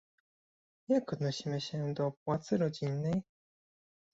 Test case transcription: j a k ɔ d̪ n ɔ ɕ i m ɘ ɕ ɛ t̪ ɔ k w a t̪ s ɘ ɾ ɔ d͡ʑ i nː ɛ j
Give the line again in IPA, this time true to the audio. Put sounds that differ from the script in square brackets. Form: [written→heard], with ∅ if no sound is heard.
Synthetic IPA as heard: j a k ɔ d̪ n ɔ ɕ i m ɘ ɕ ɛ [t̪→d̪] ɔ [k→p] w a t̪ s ɘ ɾ ɔ d͡ʑ i nː ɛ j